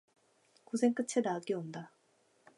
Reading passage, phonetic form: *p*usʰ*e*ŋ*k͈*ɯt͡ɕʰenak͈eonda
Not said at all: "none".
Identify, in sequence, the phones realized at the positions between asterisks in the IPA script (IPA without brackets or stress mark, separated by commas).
k, e, k͈